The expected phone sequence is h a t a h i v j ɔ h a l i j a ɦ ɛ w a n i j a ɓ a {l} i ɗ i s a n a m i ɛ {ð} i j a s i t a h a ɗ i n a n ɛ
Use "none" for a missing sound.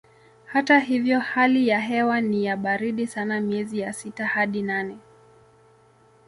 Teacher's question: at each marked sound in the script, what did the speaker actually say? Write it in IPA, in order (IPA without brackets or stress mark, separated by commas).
ɾ, z